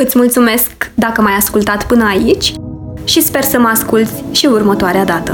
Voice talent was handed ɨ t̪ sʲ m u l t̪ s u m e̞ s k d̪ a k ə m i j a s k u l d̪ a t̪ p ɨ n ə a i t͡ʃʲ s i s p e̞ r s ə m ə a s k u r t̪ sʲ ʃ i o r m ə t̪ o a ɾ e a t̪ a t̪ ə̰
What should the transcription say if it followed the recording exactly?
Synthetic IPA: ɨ t̪ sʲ m u l t̪ s u m e̞ s k d̪ a k ə m a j a s k u l t̪ a t̪ p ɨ n ə a i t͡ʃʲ ʃ i s p e̞ r s ə m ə a s k u l t̪ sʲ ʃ i u r m ə t̪ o a ɾ e a d̪ a t̪ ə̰